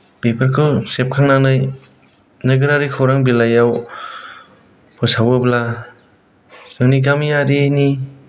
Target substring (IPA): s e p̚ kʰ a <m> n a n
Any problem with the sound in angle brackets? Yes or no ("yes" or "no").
yes